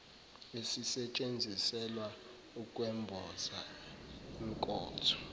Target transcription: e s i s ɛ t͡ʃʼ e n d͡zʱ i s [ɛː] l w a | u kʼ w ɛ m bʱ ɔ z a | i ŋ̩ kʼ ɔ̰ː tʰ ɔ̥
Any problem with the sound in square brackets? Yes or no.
yes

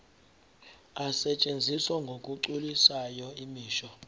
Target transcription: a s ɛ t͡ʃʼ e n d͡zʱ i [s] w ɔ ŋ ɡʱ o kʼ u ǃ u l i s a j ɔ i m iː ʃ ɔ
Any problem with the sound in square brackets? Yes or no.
no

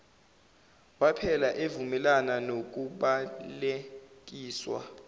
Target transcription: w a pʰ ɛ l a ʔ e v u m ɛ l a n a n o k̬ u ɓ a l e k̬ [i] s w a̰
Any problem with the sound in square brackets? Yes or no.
yes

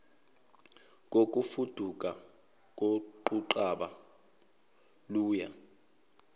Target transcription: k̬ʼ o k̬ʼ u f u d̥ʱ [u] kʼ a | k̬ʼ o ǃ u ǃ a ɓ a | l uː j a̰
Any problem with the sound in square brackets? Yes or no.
no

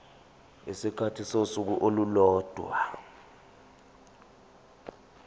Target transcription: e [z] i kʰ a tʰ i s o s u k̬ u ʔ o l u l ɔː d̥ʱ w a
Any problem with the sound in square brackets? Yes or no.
yes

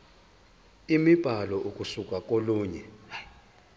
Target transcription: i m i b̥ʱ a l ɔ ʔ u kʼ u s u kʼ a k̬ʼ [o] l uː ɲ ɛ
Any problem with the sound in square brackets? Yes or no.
no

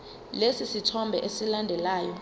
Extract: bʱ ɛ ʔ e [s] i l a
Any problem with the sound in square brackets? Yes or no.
no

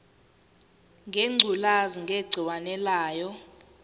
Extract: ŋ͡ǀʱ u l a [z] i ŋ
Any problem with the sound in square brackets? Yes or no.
no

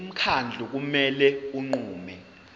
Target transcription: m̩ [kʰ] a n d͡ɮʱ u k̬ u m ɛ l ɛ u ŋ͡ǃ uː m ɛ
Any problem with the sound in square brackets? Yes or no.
no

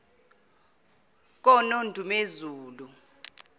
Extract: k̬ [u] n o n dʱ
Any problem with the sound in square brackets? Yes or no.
yes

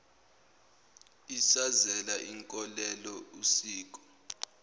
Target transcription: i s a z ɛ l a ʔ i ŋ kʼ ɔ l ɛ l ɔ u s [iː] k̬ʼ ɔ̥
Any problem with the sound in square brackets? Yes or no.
no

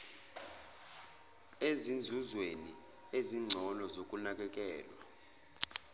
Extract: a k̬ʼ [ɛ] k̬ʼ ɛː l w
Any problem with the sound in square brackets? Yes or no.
no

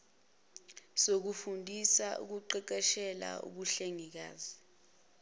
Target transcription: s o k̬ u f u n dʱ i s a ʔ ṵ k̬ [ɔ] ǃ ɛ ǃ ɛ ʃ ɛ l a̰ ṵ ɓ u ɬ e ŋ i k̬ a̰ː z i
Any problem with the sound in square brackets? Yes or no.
yes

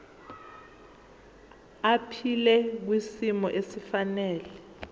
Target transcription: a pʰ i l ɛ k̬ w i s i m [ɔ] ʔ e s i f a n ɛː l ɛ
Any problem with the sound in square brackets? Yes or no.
no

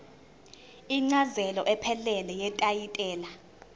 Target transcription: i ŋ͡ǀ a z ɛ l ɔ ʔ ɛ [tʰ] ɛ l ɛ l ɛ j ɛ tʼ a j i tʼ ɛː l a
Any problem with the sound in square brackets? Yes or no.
yes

